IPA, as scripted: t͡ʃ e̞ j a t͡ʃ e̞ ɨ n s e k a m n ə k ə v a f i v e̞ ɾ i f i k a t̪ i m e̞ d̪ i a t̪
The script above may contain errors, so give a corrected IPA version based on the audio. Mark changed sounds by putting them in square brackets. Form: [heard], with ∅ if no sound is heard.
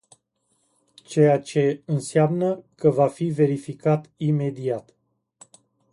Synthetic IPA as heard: t͡ʃ e̞ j a t͡ʃ e̞ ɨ n s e [∅] a m n ə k ə v a f i v e̞ ɾ i f i k a t̪ i m e̞ d̪ i a t̪

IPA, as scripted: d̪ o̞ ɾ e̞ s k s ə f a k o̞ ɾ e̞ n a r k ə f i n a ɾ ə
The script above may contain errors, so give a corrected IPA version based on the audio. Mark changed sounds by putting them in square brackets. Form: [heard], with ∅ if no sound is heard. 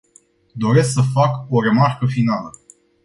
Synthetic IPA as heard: d̪ o̞ ɾ e̞ s k s ə f a k o̞ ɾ e̞ [m] a r k ə f i n a [l] ə

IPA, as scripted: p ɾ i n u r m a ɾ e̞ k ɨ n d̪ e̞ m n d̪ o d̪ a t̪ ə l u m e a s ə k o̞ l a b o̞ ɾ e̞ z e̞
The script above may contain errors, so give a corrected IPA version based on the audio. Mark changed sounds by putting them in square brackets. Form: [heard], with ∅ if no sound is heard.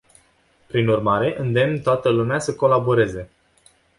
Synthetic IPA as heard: p ɾ i n u r m a ɾ e̞ [ʔ] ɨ n d̪ e̞ m n [t̪] o [∅] a t̪ ə l u m e a s ə k o̞ l a b o̞ ɾ e̞ z e̞

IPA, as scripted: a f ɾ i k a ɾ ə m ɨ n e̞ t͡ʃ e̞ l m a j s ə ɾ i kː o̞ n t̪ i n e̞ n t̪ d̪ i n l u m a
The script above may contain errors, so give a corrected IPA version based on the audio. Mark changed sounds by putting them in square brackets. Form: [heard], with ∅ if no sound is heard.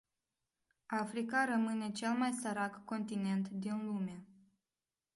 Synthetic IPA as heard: a f ɾ i k a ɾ ə m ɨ n e̞ t͡ʃ e̞ l m a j s ə ɾ [a] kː o̞ n t̪ i n e̞ n t̪ d̪ i n l u m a

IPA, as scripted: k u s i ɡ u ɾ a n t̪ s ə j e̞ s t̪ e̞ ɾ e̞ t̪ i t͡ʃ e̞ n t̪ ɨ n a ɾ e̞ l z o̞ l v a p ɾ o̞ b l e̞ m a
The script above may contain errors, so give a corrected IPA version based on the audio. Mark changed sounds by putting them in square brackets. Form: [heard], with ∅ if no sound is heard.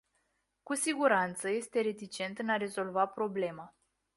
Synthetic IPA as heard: k u s i ɡ u ɾ a n t̪ s ə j e̞ s t̪ e̞ ɾ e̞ t̪ i t͡ʃ e̞ n t̪ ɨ n a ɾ e̞ [∅] z o̞ l v a p ɾ o̞ b l e̞ m a

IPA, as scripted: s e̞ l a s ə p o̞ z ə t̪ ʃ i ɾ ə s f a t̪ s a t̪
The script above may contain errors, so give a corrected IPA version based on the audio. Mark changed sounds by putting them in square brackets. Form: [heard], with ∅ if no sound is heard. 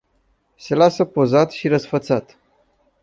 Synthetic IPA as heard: s e̞ l a s ə p o̞ z [a] t̪ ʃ i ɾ ə s f [ə] t̪ s a t̪

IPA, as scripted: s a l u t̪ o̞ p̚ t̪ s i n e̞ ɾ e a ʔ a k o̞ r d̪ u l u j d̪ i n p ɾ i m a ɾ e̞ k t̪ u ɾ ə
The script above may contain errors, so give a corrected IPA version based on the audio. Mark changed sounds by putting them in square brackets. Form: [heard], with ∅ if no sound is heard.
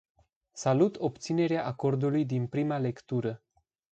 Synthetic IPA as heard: s a l u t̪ o̞ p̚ t̪ s i n e̞ ɾ e a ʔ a k o̞ r d̪ u l u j d̪ i n p ɾ i m a [l] e̞ k t̪ u ɾ ə

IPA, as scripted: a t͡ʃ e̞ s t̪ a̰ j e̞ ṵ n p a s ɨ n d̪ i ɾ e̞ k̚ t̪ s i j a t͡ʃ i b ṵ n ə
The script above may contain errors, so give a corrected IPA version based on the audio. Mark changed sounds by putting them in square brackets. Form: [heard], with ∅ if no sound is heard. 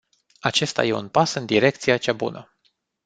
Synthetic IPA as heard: a t͡ʃ e̞ s t̪ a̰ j e̞ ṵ n p a s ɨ n d̪ i ɾ e̞ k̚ t̪ s i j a t͡ʃ [a] b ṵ n ə

